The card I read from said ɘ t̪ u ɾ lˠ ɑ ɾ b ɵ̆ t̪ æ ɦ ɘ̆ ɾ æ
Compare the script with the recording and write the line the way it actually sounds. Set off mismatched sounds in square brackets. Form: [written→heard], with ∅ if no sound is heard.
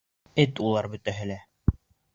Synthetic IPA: ɘ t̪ u [ɾ→∅] lˠ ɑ ɾ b ɵ̆ t̪ æ ɦ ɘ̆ [ɾ→l] æ